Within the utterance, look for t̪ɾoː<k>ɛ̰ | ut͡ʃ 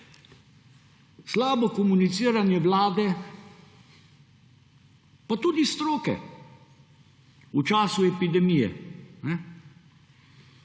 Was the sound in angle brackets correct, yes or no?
yes